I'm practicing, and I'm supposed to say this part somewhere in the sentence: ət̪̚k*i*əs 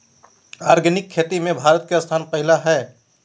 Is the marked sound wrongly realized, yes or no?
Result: yes